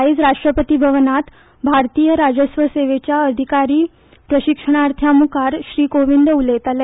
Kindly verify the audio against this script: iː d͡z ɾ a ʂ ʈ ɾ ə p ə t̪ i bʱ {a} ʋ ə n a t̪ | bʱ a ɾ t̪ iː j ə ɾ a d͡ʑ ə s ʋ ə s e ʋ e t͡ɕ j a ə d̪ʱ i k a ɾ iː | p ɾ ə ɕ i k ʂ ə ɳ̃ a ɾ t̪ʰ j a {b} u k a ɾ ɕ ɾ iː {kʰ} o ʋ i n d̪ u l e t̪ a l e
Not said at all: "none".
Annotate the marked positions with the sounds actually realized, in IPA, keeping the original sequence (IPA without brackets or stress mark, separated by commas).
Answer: ə, m, k